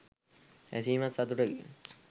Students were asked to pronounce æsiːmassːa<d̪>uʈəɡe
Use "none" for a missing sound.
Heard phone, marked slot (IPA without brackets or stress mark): t̪